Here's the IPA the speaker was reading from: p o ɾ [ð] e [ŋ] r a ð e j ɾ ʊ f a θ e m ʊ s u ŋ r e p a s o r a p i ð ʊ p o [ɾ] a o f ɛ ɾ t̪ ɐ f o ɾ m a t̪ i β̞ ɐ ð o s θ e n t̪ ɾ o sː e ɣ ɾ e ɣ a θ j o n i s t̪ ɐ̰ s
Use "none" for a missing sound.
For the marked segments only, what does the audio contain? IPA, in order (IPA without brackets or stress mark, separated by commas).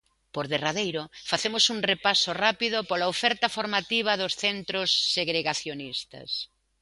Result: ð, none, l